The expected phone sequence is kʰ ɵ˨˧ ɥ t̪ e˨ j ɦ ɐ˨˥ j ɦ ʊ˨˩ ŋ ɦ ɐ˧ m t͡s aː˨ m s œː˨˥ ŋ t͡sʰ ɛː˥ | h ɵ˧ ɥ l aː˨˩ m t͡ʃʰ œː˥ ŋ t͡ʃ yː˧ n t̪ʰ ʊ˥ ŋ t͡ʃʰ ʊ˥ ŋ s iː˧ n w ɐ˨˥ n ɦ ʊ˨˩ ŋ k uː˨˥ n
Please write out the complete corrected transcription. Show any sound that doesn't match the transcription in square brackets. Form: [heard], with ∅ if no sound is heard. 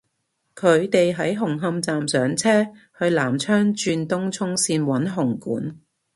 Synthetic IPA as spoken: kʰ ɵ˨˧ ɥ t̪ e˨ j ɦ ɐ˨˥ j ɦ ʊ˨˩ ŋ ɦ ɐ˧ m t͡s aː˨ m s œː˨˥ ŋ t͡sʰ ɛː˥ | h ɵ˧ ɥ l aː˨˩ m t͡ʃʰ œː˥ ŋ t͡ʃ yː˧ n [t̪] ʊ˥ ŋ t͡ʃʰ ʊ˥ ŋ s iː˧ n w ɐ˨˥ n ɦ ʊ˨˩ ŋ k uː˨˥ n